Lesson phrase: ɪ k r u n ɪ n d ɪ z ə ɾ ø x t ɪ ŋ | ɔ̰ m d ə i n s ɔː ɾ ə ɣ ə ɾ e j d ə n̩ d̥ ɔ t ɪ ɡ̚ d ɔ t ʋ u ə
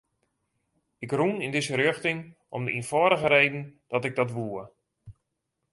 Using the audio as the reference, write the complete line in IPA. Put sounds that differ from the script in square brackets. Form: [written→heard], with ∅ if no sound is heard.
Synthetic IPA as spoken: ɪ k r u n ɪ n d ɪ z ə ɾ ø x t ɪ ŋ | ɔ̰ m d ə i n [s→f] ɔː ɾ ə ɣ ə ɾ e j d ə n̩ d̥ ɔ t ɪ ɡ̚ d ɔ t ʋ u ə